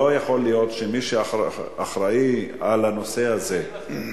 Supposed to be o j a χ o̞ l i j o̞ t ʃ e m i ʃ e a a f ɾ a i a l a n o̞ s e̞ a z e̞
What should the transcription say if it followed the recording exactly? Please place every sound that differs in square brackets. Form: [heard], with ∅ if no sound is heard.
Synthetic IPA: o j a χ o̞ l i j o̞ t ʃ e m i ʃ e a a [χ] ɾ a i a l a n o̞ s e̞ a z e̞